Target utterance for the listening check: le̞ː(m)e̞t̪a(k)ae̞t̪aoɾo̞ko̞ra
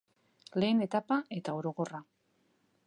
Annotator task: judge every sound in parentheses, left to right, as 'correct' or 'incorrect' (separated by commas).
incorrect, incorrect